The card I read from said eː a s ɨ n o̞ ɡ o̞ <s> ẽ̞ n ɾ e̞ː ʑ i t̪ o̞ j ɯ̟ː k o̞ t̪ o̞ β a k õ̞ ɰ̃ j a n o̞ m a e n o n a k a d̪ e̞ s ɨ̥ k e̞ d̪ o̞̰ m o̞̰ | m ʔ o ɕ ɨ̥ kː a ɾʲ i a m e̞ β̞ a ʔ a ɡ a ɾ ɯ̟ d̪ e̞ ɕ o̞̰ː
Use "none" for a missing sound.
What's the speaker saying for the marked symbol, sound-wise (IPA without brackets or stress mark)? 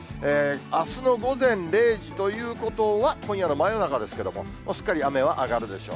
z